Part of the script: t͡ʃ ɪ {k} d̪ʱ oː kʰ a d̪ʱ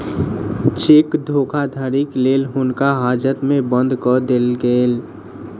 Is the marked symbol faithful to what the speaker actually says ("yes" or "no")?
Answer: yes